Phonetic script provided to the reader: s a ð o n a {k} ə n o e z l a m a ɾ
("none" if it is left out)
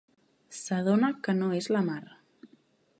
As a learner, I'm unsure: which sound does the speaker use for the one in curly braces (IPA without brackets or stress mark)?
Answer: k